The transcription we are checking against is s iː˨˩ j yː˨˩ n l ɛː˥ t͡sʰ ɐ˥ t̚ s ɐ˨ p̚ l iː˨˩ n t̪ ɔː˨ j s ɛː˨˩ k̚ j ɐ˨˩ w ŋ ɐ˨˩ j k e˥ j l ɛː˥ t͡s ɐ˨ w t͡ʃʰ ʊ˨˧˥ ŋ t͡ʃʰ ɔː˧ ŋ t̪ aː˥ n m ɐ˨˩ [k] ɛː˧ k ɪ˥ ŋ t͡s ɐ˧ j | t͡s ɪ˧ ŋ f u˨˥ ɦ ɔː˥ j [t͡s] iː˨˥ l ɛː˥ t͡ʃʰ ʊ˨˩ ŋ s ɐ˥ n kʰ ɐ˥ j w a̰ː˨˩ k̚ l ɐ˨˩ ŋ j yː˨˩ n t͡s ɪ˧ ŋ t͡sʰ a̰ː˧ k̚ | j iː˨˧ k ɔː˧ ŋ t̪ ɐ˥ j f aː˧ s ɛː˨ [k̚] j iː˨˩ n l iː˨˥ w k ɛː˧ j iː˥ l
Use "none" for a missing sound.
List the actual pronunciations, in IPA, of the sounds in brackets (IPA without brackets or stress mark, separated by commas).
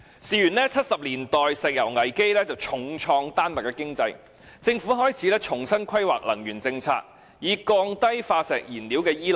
k, t͡sʰ, k̚